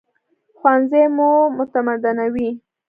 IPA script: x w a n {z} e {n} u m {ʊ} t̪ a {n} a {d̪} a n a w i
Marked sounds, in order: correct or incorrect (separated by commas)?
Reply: correct, incorrect, correct, incorrect, correct